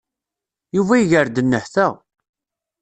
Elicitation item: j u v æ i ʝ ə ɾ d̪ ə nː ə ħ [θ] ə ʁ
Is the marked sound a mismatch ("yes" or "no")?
no